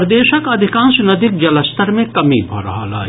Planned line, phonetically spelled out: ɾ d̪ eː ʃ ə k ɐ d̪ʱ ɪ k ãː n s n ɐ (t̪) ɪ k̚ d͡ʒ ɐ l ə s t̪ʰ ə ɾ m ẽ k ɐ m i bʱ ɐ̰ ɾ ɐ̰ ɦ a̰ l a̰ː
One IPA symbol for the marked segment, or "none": d̪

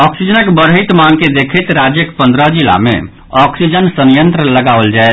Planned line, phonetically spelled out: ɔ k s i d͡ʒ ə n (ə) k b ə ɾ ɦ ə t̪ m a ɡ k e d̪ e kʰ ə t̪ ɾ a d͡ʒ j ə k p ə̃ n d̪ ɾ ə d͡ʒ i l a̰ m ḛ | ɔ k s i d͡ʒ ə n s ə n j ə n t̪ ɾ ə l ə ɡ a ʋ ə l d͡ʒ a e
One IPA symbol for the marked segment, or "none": ə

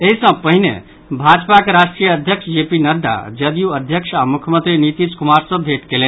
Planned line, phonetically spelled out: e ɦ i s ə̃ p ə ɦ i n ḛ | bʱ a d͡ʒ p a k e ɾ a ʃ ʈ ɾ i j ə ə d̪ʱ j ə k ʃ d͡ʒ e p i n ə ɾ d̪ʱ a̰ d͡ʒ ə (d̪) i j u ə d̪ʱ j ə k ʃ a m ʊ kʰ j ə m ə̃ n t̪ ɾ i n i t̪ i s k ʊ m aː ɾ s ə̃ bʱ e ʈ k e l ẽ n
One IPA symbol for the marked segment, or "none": d̪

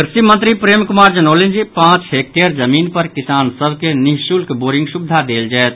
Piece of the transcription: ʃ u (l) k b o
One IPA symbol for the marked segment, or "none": l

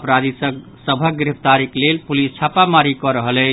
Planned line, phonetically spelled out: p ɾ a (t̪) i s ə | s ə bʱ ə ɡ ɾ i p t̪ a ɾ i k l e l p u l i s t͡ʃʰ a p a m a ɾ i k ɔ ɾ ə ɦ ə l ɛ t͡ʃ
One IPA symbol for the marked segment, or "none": d̪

